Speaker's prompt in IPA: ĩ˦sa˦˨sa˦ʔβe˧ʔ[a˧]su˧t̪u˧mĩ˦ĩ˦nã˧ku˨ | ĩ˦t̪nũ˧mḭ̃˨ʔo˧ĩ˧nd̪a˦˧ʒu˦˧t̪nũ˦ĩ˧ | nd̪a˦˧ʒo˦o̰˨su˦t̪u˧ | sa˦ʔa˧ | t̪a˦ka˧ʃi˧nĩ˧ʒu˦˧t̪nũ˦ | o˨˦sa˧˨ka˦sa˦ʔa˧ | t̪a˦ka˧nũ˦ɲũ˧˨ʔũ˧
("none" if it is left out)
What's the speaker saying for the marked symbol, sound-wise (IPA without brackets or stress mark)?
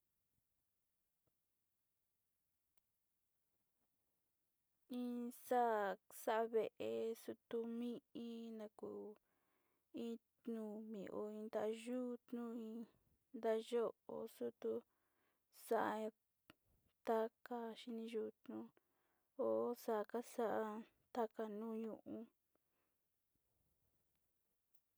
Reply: e˧